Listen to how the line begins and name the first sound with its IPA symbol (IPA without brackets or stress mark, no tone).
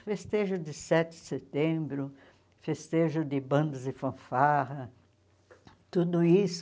f